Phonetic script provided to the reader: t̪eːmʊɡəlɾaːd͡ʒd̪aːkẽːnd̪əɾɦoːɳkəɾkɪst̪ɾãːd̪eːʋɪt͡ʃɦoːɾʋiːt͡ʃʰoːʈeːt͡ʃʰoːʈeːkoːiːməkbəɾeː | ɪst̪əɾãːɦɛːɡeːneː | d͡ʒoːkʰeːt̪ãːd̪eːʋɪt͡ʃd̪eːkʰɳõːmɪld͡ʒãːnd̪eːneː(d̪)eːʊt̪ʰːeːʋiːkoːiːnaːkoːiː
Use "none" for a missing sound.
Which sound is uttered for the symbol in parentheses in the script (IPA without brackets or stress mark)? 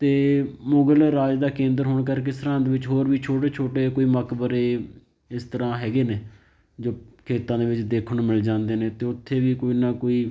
t̪